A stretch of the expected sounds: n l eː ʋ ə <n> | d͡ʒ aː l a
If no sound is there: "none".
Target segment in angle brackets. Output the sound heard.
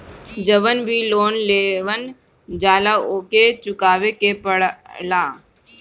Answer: n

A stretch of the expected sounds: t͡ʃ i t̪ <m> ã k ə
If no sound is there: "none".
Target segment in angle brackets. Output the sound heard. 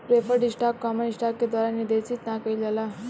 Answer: n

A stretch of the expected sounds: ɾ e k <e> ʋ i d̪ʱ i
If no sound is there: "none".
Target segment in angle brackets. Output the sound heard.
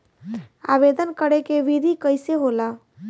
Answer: e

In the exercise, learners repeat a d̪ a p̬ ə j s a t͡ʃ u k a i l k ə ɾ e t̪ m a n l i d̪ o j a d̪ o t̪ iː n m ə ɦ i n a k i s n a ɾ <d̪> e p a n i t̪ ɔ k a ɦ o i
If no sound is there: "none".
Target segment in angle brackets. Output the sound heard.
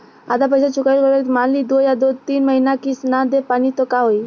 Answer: d̪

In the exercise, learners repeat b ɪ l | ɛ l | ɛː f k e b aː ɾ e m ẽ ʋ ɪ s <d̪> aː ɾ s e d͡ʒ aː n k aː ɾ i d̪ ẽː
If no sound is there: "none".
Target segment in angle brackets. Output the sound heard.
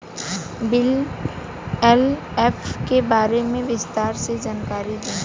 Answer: t̪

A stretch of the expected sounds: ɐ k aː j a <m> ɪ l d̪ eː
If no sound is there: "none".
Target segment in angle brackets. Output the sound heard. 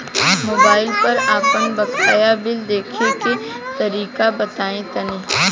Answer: b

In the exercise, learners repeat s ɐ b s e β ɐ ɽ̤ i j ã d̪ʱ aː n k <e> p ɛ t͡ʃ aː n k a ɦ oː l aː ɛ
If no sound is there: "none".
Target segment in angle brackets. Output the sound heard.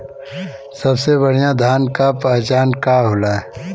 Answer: a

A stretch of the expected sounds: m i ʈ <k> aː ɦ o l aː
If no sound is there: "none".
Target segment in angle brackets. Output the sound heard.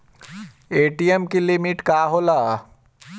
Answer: k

